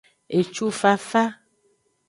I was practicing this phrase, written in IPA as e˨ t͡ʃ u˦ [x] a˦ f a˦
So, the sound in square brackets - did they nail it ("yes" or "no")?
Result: no